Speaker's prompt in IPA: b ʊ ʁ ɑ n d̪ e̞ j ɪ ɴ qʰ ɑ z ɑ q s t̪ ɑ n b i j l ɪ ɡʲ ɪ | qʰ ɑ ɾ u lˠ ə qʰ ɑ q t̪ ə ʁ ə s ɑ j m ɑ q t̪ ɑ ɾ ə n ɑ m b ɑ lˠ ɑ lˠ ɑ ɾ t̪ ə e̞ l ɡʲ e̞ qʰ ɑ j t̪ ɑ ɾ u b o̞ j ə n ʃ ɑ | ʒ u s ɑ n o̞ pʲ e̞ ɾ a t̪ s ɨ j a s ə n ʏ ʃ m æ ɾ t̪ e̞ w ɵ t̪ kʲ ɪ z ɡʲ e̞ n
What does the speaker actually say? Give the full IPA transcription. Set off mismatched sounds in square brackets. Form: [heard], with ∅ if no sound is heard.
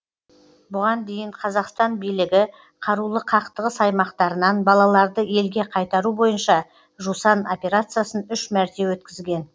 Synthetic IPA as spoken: b ʊ ʁ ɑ n d̪ e̞ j ɪ ɴ qʰ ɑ z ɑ q s t̪ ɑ n b i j l ɪ ɡʲ ɪ | qʰ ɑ ɾ u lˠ ə qʰ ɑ q t̪ ə ʁ ə s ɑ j m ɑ q t̪ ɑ ɾ ə n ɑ [n] b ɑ lˠ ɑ lˠ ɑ ɾ [d̪] ə e̞ l ɡʲ e̞ qʰ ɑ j t̪ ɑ ɾ u b o̞ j ə n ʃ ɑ | ʒ u s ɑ n o̞ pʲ e̞ ɾ a t̪ s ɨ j a s ə n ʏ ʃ m æ ɾ t̪ e̞ w ɵ t̪ kʲ ɪ z ɡʲ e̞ n

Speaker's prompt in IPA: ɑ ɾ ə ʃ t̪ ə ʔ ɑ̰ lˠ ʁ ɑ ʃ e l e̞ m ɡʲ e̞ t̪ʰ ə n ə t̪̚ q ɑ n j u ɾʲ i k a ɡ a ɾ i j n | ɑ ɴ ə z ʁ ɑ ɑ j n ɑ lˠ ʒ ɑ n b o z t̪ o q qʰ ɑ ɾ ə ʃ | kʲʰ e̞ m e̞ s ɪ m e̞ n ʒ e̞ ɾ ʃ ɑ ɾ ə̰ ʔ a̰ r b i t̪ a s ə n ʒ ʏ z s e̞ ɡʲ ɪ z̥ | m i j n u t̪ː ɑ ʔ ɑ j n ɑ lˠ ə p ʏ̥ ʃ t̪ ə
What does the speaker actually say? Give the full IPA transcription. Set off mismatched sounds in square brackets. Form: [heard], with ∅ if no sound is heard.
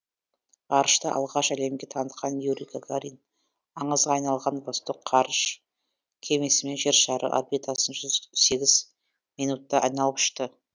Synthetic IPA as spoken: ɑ ɾ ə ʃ t̪ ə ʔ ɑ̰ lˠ ʁ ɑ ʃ [æ] l e̞ m ɡʲ e̞ t̪ʰ [ɑ] n ə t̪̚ q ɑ n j u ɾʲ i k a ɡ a ɾ i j n | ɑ ɴ ə z ʁ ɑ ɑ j n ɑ lˠ [ʁ] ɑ n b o [s] t̪ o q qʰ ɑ ɾ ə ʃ | kʲʰ e̞ m e̞ s ɪ m e̞ n ʒ e̞ ɾ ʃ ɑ ɾ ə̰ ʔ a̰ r b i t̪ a s ə n ʒ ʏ z s e̞ ɡʲ ɪ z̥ | m i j n u t̪ː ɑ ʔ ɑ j n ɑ lˠ ə p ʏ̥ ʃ t̪ ə

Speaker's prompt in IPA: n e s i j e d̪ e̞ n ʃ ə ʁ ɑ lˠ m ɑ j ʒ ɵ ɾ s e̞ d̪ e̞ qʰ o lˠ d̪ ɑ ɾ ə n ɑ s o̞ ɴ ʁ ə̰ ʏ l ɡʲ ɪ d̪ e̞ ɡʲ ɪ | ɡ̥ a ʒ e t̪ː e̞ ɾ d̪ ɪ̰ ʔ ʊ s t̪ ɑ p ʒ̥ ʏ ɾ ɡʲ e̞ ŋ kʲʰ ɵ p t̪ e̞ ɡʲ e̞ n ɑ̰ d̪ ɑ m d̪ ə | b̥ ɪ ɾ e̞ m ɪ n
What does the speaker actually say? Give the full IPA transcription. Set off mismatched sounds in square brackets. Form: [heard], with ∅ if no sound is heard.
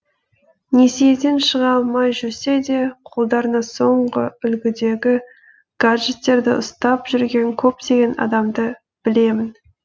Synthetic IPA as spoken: n e s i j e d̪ e̞ n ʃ ə ʁ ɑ lˠ m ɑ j ʒ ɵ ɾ s e̞ d̪ e̞ qʰ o lˠ d̪ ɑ ɾ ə n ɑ s o̞ ɴ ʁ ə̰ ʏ l ɡʲ ɪ d̪ e̞ ɡʲ ɪ | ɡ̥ a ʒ e t̪ː e̞ ɾ d̪ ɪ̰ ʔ ʊ s t̪ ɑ p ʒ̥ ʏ ɾ ɡʲ e̞ ŋ kʲʰ ɵ p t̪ e̞ ɡʲ e̞ n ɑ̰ d̪ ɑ m d̪ ə | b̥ ɪ [l] e̞ m ɪ n

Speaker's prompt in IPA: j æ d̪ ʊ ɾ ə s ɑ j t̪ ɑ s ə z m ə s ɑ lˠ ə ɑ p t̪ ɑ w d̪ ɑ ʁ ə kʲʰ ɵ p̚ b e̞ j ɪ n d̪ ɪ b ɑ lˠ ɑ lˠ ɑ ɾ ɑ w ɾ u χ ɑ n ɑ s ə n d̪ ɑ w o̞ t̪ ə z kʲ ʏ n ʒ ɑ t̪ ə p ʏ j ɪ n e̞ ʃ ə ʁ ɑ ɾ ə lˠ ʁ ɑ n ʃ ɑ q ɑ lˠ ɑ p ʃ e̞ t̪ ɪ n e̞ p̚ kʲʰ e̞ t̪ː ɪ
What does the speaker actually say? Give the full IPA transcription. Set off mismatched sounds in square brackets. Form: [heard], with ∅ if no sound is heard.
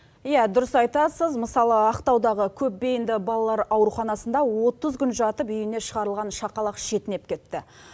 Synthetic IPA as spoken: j æ d̪ ʊ ɾ ə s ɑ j t̪ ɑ s ə z m ə s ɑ lˠ ə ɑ [q] t̪ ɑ w d̪ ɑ ʁ ə kʲʰ ɵ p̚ b e̞ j ɪ n d̪ ɪ b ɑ lˠ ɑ lˠ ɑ ɾ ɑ w ɾ u χ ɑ n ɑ s ə n d̪ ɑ w o̞ t̪ ə z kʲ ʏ n ʒ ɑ t̪ ə p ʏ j ɪ n e̞ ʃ ə ʁ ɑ ɾ ə lˠ ʁ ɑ n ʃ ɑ q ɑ lˠ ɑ [q] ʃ e̞ t̪ ɪ n e̞ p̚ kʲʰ e̞ t̪ː ɪ

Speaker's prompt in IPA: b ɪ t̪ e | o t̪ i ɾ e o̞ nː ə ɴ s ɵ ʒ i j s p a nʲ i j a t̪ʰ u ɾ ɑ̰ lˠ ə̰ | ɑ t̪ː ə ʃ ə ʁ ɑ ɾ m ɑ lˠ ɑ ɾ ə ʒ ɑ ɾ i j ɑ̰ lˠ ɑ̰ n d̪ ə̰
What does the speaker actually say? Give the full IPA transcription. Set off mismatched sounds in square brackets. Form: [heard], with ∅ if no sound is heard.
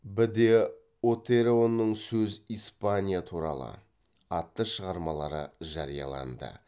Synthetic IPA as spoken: b ɪ [d̪] e | o t̪ [e] ɾ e o̞ nː ə ɴ s ɵ [z] i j s p a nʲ i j a t̪ʰ u ɾ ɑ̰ lˠ ə̰ | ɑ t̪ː ə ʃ ə ʁ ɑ ɾ m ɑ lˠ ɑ ɾ ə ʒ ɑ ɾ i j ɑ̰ lˠ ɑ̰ n d̪ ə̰

